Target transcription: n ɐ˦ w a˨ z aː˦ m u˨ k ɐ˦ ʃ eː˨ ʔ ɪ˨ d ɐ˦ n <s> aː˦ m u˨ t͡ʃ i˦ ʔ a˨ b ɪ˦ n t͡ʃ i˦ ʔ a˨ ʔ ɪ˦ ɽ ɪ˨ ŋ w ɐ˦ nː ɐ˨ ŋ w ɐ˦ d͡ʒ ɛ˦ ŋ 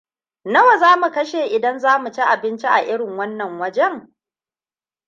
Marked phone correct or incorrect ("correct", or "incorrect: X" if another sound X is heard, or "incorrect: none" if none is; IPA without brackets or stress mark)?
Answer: incorrect: z